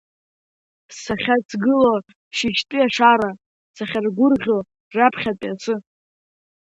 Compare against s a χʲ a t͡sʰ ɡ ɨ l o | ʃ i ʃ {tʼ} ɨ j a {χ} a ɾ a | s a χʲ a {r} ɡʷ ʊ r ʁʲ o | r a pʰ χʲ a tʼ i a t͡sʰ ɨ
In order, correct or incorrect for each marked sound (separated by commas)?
correct, incorrect, correct